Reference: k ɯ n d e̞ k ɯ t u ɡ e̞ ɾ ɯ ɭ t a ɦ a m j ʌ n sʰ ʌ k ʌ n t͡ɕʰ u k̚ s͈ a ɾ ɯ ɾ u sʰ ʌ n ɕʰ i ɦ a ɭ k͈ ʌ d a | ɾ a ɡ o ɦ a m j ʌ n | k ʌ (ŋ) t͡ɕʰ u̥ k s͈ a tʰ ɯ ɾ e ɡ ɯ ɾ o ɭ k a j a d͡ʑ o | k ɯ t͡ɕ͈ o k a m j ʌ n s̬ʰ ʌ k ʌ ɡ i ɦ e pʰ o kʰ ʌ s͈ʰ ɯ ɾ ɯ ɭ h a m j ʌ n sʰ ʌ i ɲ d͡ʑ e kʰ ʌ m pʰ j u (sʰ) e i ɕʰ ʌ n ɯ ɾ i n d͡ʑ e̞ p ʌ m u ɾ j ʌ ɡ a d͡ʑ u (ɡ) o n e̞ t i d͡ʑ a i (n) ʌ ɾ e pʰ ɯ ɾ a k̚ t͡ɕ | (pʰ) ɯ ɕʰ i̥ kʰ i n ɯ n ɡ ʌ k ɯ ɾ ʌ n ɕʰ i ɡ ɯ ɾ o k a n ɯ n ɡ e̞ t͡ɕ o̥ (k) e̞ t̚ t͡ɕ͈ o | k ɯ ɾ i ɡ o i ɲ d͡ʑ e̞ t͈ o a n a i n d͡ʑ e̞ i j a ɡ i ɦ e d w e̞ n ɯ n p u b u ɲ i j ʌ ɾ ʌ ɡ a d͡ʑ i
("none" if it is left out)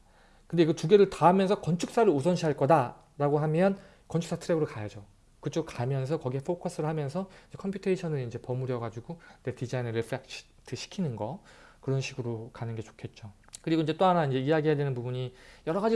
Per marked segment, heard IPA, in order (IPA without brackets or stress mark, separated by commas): n, tʰ, ɡ, n, tʰ, kʰ